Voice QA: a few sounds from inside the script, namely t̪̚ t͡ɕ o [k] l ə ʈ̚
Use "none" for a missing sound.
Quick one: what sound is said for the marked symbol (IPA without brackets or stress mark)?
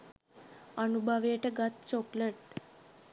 k